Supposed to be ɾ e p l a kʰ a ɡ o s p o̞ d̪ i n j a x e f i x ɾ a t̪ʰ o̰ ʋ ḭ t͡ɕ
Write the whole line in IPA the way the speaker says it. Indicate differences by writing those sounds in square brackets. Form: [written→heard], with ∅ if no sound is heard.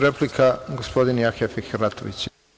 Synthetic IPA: ɾ e p l [a→i] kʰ a ɡ o s p o̞ d̪ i n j a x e f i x ɾ a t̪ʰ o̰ ʋ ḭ t͡ɕ